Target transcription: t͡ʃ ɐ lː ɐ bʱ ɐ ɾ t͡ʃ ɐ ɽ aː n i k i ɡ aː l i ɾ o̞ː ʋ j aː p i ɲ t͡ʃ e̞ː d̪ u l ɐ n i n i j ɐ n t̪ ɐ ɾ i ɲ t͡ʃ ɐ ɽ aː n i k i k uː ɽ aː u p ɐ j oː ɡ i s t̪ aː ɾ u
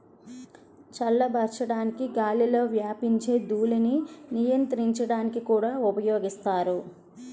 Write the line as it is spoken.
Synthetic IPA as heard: t͡ʃ ɐ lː ɐ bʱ ɐ ɾ t͡ʃ ɐ ɽ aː n i k i ɡ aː l i l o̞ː ʋ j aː p i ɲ t͡ʃ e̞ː d̪ uː l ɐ n i n i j ɐ n t̪ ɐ ɾ i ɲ t͡ʃ ɐ ɽ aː n i k i k uː ɽ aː u p ɐ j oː ɡ i s t̪ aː ɾ u